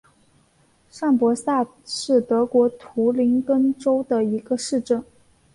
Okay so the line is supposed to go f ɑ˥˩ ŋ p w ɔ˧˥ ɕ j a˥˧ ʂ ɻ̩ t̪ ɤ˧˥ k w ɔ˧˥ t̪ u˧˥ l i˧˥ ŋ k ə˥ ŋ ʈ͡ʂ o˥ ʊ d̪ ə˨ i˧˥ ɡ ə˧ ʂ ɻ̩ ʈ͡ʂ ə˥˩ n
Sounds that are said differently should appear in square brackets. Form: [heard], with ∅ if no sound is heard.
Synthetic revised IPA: [ʂ] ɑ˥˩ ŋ p w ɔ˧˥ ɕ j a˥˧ ʂ ɻ̩ t̪ ɤ˧˥ k w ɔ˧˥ [t̪ʰ] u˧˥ l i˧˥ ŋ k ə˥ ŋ ʈ͡ʂ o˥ ʊ d̪ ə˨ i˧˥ ɡ ə˧ ʂ ɻ̩ ʈ͡ʂ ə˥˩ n